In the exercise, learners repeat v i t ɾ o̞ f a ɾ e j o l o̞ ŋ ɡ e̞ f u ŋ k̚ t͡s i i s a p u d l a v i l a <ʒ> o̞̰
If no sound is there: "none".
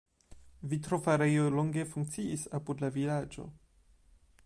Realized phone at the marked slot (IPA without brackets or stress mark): d͡ʒ